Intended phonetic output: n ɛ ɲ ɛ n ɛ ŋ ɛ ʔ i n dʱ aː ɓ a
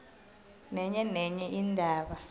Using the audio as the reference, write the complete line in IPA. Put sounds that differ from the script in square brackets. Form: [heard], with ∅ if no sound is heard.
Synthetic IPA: n ɛ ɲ ɛ n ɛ [ɲ] ɛ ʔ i n dʱ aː ɓ a